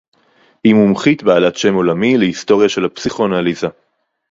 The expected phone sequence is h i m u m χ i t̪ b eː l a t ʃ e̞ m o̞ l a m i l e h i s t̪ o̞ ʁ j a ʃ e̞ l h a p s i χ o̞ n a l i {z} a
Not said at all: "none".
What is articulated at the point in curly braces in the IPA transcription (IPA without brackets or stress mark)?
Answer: z